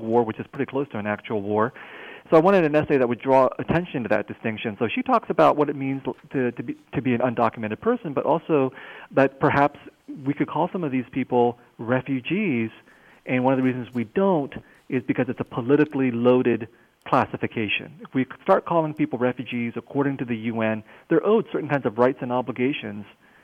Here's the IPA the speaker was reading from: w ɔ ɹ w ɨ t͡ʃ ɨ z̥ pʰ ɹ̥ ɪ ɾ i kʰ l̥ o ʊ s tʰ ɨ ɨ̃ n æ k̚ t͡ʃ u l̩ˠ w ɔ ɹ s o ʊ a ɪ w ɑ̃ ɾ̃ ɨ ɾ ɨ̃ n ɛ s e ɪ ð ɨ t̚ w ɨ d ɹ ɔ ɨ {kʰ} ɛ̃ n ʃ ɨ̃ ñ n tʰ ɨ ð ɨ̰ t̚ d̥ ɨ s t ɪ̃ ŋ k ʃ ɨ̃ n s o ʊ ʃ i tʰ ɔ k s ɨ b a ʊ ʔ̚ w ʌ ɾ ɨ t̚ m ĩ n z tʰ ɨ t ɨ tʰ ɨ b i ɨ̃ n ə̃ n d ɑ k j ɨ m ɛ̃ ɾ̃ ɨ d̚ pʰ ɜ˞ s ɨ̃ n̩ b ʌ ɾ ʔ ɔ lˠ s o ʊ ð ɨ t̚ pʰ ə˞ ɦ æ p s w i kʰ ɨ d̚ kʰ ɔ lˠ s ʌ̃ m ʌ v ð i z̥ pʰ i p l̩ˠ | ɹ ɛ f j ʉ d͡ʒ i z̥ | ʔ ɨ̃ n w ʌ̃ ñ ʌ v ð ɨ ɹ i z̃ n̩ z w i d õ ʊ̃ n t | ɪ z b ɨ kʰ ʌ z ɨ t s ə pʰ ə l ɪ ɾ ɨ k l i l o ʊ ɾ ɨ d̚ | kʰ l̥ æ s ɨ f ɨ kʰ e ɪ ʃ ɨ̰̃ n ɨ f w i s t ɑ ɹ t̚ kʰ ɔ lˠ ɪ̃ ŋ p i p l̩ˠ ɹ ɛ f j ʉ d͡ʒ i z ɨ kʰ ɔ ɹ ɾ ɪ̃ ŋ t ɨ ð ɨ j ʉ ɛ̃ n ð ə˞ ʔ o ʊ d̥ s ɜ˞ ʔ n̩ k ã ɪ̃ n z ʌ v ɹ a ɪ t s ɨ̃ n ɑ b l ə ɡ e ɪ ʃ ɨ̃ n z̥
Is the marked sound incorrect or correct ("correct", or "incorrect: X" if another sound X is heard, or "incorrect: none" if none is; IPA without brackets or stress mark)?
incorrect: tʰ